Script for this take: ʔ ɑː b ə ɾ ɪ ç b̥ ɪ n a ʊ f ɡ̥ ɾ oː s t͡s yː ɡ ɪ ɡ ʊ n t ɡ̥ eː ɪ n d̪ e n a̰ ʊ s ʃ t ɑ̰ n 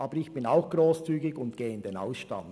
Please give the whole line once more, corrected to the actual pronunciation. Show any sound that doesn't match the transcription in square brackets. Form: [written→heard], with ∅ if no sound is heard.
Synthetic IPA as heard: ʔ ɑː b ə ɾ ɪ ç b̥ ɪ n a ʊ [f→x] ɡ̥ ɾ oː s t͡s yː ɡ ɪ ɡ ʊ n t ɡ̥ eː ɪ n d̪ e n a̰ ʊ s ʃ t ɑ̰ n